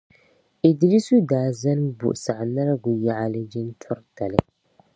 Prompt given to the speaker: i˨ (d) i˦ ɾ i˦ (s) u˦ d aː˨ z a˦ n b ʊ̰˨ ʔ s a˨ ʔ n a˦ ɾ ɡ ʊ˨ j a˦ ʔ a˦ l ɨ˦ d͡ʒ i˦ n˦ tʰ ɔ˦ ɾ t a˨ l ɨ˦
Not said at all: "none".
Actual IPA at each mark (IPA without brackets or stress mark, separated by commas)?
d, s